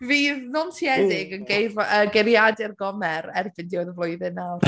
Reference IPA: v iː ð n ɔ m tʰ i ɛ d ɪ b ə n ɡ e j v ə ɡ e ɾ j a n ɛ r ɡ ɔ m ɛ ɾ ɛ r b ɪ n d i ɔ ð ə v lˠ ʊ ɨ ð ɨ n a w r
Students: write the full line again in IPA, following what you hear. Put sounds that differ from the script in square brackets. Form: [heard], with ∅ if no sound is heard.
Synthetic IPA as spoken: v iː ð n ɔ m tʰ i ɛ d ɪ [ɡ] ə n ɡ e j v ə ɡ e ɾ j a [d] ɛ r ɡ ɔ m ɛ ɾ ɛ r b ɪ n d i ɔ ð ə v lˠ ʊ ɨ ð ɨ n a w r